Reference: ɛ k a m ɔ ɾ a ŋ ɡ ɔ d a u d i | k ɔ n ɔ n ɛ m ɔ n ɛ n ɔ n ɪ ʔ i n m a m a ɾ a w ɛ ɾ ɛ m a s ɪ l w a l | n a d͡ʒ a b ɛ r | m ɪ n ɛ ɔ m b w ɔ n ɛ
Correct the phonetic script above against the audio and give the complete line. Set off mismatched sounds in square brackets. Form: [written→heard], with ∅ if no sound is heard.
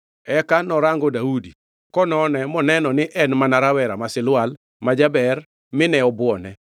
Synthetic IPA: ɛ k a [m→n] ɔ ɾ a ŋ ɡ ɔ d a u d i | k ɔ n ɔ n ɛ m ɔ n ɛ n ɔ n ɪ ʔ [i→ɛ] n m a [m→n] a ɾ a w ɛ ɾ [ɛ→a] m a s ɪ l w a l | [n→m] a d͡ʒ a b ɛ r | m ɪ n ɛ ɔ [m→∅] b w ɔ n ɛ